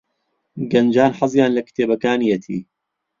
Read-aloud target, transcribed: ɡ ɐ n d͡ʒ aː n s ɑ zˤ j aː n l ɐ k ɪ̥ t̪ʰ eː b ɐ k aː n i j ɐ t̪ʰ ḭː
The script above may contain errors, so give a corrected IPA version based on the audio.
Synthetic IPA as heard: ɡ ɐ n d͡ʒ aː n ħ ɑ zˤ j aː n l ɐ k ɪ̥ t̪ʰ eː b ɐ k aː n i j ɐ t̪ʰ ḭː

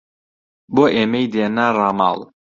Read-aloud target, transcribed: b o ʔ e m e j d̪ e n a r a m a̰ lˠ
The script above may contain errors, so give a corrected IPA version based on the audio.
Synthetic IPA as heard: b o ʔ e m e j d̪ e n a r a m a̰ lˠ

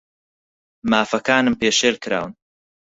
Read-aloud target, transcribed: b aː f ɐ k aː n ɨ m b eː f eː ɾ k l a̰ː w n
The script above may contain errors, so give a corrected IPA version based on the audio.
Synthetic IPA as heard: m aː f ɐ k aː n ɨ m p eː ʃ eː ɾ k ɾ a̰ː w n

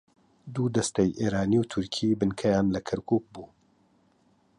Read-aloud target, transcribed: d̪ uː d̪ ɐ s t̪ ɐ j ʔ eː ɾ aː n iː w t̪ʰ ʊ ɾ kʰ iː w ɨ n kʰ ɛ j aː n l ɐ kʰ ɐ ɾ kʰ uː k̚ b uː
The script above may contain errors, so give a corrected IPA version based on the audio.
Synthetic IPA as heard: d̪ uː d̪ ɐ s t̪ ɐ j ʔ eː ɾ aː n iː w t̪ʰ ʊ ɾ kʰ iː b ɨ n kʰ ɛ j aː n l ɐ kʰ ɐ ɾ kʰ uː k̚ b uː

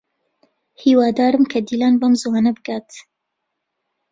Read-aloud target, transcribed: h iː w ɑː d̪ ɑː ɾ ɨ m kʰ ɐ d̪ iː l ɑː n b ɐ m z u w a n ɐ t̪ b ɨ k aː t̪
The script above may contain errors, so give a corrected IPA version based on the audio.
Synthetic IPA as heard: h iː w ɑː d̪ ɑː ɾ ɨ m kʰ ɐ d̪ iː l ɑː n b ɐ m z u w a n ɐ b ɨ ɡ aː t̪

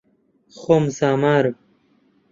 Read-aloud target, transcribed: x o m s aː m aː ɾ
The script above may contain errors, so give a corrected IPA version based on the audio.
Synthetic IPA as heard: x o m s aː m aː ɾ

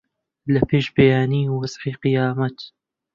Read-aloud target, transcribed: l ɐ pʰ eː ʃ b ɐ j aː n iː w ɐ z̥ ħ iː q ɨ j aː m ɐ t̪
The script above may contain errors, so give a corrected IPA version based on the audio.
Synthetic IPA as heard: l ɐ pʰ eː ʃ b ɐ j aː n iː w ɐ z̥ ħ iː q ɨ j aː m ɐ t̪

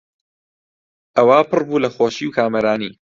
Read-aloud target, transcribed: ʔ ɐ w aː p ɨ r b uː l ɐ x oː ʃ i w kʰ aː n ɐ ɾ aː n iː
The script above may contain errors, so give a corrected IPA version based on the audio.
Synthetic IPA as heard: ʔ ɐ w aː p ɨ r b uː l ɐ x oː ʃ i w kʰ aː m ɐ ɾ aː n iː

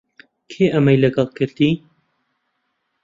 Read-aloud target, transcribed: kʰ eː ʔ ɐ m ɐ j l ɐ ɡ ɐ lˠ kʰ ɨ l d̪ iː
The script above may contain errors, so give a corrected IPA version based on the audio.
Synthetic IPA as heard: kʰ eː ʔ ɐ m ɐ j l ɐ ɡ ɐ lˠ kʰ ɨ ɾ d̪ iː

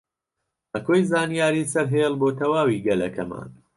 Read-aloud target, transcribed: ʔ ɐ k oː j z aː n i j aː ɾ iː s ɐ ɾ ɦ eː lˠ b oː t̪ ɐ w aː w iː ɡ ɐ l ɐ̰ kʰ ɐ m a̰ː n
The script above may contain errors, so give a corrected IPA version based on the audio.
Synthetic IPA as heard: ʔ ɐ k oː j z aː n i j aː ɾ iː s ɐ ɾ ɦ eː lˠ b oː t̪ ɐ w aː w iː ɡ ɐ l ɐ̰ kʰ ɐ m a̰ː n

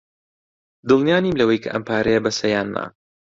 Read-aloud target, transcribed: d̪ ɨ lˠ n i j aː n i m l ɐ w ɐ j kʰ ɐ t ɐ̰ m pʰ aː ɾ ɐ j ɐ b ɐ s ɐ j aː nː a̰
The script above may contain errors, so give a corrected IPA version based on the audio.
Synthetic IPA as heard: d̪ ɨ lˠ n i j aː n i m l ɐ w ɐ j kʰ ɐ ʔ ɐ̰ m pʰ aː ɾ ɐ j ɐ b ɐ s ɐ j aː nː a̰

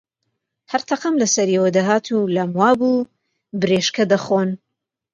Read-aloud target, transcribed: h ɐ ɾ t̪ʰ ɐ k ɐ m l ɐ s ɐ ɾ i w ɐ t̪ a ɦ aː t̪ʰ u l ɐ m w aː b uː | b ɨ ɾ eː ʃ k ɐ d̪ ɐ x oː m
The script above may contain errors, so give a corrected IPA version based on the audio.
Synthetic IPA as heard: h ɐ ɾ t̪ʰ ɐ q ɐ m l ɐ s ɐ ɾ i w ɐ d̪ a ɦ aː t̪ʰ u l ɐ m w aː b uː | b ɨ ɾ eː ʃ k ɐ d̪ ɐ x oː n

